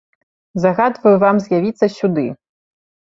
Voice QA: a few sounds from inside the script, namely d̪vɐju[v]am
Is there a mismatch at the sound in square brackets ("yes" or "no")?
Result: no